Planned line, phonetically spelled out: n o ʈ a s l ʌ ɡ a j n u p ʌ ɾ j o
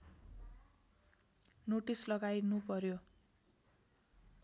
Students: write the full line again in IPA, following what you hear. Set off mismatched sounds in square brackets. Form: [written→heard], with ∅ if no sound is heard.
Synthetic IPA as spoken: n o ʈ [a→i] s l ʌ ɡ a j n u p ʌ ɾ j o